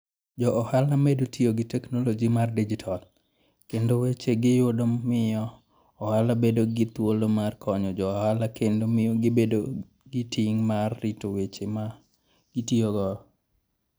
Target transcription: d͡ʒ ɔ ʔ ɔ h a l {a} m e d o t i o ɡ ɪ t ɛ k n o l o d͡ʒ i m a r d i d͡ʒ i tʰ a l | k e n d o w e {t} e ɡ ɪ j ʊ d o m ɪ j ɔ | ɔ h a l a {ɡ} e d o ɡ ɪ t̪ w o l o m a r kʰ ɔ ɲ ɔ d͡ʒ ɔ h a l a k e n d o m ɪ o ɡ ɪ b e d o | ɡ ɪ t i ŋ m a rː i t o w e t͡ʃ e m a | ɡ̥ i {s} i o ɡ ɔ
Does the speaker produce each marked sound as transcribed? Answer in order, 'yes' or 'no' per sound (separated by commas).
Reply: yes, no, no, no